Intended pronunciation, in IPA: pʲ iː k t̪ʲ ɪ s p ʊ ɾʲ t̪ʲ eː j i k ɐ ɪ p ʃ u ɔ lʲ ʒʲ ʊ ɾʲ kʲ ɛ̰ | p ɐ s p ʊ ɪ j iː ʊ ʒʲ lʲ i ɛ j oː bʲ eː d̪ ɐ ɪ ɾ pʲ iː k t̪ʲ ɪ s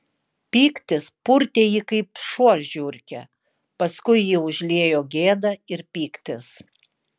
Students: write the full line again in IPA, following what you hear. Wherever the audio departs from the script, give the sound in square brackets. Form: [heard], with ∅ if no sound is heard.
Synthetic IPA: pʲ iː k t̪ʲ ɪ s p ʊ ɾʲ t̪ʲ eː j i k ɐ ɪ p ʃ u ɔ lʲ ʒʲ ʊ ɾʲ kʲ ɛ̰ | p ɐ s [k] ʊ ɪ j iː ʊ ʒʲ lʲ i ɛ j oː [ɡʲ] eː d̪ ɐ ɪ ɾ pʲ iː k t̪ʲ ɪ s

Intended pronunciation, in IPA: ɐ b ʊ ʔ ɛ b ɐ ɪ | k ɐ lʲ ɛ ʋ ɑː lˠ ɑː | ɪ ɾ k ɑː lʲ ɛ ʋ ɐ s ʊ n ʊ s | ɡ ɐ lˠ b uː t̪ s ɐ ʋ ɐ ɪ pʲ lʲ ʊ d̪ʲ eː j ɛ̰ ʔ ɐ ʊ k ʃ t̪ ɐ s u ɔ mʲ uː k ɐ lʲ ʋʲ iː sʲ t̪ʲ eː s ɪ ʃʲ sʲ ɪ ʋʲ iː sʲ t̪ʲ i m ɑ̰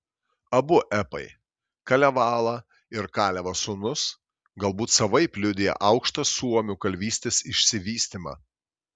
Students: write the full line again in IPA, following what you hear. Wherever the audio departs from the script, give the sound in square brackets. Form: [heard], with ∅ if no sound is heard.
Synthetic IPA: ɐ b ʊ ʔ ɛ [p] ɐ ɪ | k ɐ lʲ ɛ ʋ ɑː lˠ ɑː | ɪ ɾ k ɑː lʲ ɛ ʋ ɐ s ʊ n ʊ s | ɡ ɐ lˠ b uː t̪ s ɐ ʋ ɐ ɪ pʲ lʲ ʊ d̪ʲ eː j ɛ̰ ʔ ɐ ʊ k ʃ t̪ ɐ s u ɔ mʲ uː k ɐ lʲ ʋʲ iː sʲ t̪ʲ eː s ɪ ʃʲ sʲ ɪ ʋʲ iː sʲ t̪ʲ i m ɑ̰

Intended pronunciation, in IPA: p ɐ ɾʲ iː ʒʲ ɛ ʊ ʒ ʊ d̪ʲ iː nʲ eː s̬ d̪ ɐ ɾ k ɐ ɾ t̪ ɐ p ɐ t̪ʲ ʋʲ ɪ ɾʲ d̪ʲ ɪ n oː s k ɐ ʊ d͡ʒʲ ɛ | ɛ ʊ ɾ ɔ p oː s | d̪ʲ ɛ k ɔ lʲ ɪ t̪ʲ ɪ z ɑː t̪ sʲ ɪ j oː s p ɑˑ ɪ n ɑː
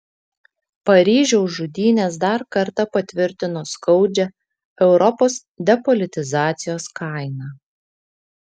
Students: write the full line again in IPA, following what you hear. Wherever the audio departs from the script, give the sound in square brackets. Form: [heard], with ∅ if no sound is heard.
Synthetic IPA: p ɐ ɾʲ iː ʒʲ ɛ ʊ ʒ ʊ d̪ʲ iː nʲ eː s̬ d̪ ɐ ɾ k ɐ ɾ t̪ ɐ p ɐ t̪ʲ ʋʲ ɪ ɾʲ [t̪ʲ] ɪ n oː s k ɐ ʊ d͡ʒʲ ɛ | ɛ ʊ ɾ ɔ p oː s | d̪ʲ ɛ [p] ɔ lʲ ɪ t̪ʲ ɪ z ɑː t̪ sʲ ɪ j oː s [k] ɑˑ ɪ n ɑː

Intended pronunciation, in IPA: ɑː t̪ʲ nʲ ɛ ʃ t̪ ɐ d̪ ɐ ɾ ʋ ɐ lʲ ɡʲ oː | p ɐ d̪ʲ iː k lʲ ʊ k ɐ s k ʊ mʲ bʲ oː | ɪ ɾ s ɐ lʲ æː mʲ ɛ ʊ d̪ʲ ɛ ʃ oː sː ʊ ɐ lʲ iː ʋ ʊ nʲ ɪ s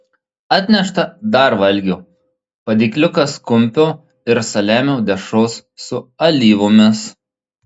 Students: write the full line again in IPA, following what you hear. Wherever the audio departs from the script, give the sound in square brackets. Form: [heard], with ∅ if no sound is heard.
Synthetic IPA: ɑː t̪ʲ nʲ ɛ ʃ t̪ ɐ d̪ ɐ ɾ ʋ ɐ lʲ ɡʲ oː | p ɐ d̪ʲ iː k lʲ ʊ k ɐ s k ʊ mʲ [pʲ] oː | ɪ ɾ s ɐ lʲ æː mʲ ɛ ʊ d̪ʲ ɛ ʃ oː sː ʊ ɐ lʲ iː ʋ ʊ [mʲ] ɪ s

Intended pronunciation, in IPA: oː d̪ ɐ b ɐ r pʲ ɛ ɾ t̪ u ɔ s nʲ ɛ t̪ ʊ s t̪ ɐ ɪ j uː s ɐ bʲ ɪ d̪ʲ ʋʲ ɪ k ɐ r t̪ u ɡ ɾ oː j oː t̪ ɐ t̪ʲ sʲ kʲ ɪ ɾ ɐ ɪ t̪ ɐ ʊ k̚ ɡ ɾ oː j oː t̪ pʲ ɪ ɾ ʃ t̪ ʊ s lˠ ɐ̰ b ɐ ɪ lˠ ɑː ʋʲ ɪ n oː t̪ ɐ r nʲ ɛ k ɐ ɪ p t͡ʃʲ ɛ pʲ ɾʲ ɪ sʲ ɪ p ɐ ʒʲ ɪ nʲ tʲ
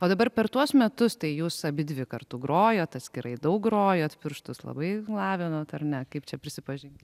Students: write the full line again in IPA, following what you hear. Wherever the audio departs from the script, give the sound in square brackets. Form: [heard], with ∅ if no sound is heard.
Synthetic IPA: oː d̪ ɐ b ɐ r pʲ ɛ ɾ t̪ u ɔ s [mʲ] ɛ t̪ ʊ s t̪ ɐ ɪ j uː s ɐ bʲ ɪ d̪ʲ ʋʲ ɪ k ɐ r t̪ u ɡ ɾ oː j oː t̪ ɐ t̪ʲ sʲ kʲ ɪ ɾ ɐ ɪ [d̪] ɐ ʊ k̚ ɡ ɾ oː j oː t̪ pʲ ɪ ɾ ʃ t̪ ʊ s lˠ ɐ̰ b ɐ ɪ lˠ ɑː ʋʲ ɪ n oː t̪ ɐ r nʲ ɛ k ɐ ɪ p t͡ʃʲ ɛ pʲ ɾʲ ɪ sʲ ɪ p ɐ ʒʲ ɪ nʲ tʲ

